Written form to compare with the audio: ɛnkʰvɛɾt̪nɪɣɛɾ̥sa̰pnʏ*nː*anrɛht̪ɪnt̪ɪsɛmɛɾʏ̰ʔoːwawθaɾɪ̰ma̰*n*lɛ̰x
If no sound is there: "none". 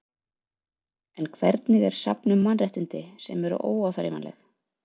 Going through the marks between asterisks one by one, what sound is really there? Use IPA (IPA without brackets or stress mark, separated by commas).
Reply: mː, n